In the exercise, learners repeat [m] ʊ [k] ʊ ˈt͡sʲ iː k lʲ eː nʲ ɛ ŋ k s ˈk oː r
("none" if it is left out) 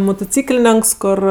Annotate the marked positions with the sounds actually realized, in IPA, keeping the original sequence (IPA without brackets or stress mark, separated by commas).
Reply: m, t